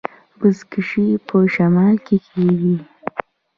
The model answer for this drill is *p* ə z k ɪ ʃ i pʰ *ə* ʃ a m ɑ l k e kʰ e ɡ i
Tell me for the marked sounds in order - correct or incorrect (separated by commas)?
incorrect, correct